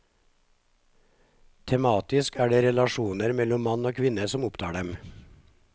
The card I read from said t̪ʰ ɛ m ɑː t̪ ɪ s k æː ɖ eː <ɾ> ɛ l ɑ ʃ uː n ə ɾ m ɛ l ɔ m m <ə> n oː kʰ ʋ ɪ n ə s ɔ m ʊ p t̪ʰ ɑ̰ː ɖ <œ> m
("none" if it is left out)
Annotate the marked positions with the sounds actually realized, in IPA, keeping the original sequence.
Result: ɾ, ɑ, ɛ

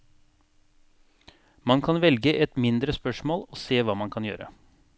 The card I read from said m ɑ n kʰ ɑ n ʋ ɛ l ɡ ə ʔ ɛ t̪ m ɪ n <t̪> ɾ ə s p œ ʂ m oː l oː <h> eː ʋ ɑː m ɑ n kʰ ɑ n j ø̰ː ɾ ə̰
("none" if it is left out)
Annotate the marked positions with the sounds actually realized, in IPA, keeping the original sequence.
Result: d̪, s

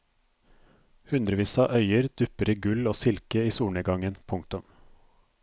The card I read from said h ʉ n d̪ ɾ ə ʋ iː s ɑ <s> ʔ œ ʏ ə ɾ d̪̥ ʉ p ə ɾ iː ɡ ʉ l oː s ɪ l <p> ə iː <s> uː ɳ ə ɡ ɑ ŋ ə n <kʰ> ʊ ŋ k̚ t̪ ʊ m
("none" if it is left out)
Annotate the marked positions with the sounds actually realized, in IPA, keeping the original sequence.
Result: none, k, s, pʰ

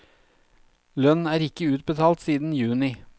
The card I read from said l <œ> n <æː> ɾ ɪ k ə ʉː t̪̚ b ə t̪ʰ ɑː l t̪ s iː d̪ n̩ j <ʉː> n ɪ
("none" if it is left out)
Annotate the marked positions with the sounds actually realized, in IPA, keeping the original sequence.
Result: œ, æː, ʉː

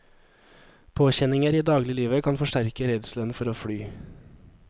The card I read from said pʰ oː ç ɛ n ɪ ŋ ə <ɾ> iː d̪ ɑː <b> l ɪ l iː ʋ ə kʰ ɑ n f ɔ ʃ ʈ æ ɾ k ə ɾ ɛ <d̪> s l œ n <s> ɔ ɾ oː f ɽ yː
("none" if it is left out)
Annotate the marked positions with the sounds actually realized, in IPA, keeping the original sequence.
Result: ɾ, ɡ, d̪, f

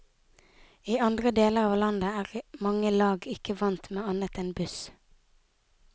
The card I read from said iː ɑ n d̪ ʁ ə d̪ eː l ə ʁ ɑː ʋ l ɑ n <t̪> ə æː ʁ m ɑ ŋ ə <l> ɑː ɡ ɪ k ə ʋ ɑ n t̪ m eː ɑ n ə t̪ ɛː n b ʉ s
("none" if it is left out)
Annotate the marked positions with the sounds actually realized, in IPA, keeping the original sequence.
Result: d̪, l

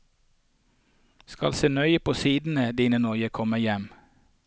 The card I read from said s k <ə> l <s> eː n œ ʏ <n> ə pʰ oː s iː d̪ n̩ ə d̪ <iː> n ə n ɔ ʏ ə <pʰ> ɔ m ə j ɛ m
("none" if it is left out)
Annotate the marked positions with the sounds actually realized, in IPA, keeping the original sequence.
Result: ɑ, s, none, iː, kʰ

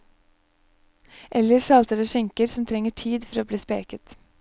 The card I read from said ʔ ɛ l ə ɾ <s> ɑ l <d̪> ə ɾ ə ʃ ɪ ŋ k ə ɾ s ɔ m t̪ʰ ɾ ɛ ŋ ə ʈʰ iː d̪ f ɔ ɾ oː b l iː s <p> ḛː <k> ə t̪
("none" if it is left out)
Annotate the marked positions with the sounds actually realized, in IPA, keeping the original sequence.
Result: s, t̪, p, k

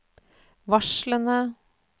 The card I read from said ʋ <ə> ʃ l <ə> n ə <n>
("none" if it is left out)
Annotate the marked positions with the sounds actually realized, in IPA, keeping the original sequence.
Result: ɑ, ə, none

